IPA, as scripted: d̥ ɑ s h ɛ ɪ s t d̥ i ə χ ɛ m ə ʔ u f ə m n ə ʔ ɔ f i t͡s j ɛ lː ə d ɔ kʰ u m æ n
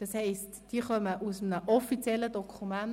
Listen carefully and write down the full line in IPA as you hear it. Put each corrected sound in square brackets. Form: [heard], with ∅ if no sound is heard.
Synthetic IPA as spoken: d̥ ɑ s h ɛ ɪ s t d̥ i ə χ [œ] m ə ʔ u [s] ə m n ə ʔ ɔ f i t͡s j ɛ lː ə d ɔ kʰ u m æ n